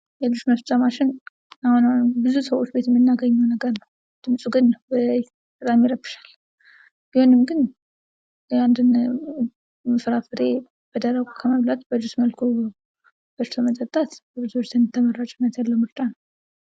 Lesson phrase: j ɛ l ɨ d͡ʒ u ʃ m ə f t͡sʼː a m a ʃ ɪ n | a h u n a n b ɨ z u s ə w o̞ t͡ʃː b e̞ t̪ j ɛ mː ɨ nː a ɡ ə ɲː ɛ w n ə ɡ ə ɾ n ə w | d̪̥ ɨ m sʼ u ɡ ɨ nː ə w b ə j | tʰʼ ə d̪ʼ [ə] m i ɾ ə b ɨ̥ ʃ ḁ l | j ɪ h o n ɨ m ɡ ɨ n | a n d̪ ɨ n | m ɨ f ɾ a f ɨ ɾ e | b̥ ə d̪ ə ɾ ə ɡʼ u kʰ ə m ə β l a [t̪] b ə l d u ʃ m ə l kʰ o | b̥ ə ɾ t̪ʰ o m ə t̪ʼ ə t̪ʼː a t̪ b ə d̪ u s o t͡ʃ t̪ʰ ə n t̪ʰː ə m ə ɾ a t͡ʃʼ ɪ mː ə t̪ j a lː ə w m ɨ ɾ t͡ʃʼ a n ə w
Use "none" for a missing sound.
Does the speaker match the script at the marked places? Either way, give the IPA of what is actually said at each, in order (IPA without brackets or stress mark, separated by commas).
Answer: a, t̪